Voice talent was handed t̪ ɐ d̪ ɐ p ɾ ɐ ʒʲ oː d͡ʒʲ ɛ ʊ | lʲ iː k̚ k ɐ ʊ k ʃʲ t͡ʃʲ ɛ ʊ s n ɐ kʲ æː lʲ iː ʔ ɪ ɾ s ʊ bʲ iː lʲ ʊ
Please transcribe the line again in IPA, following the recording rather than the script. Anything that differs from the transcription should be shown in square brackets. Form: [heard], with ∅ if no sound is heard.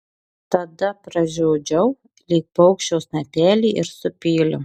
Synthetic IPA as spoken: t̪ ɐ d̪ ɐ p ɾ ɐ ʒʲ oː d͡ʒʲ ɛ ʊ | lʲ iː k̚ [p] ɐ ʊ k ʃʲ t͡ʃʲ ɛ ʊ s n ɐ [pʲ] æː lʲ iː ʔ ɪ ɾ s ʊ [pʲ] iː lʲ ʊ